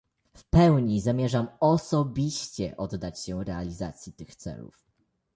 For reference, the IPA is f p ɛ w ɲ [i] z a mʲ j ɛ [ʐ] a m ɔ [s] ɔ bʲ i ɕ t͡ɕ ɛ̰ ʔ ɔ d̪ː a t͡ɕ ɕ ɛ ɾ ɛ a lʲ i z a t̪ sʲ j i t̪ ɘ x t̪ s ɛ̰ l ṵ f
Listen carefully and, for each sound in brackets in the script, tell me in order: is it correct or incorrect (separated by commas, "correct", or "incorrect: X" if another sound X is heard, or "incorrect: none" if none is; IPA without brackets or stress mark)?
correct, correct, correct